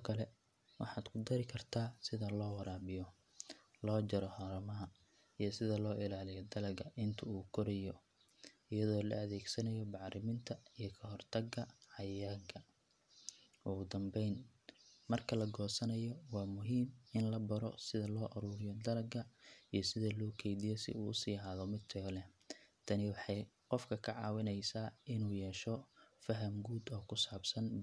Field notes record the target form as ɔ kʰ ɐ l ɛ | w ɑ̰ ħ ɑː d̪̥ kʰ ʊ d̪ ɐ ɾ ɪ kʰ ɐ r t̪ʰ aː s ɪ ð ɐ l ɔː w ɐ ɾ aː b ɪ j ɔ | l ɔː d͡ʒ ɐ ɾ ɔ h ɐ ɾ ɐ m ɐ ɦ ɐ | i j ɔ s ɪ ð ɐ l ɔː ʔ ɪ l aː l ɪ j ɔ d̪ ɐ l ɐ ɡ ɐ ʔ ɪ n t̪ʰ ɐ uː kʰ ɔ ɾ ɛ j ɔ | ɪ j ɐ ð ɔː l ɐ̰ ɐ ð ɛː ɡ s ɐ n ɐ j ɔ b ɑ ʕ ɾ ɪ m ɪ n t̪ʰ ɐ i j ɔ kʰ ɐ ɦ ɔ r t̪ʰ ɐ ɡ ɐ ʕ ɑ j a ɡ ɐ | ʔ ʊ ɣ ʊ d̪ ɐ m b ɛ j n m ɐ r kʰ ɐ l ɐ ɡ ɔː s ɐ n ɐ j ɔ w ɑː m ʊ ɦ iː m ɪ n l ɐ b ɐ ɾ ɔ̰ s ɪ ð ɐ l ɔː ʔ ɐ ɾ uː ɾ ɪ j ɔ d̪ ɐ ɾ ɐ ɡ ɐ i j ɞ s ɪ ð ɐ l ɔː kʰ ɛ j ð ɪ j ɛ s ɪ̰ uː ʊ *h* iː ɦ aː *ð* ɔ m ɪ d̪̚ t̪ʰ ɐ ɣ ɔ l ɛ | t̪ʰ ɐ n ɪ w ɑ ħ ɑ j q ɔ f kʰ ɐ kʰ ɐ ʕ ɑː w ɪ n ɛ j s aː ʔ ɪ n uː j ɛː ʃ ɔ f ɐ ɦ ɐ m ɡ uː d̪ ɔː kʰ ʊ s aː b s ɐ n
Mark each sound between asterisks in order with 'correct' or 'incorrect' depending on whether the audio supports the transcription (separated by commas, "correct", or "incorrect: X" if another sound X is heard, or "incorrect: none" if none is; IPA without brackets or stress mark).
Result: incorrect: s, correct